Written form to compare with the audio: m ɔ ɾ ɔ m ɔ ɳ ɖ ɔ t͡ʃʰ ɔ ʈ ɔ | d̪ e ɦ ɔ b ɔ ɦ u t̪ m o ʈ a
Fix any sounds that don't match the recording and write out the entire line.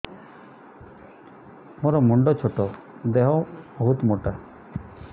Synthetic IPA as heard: m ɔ ɾ ɔ m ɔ ɳ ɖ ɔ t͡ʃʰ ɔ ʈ ɔ | d̪ e ɦ ɔ b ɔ ɦ u t̪ m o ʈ a